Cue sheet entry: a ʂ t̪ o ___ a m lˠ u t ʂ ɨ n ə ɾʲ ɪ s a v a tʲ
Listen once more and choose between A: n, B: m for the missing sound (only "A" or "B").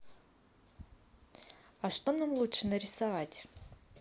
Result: A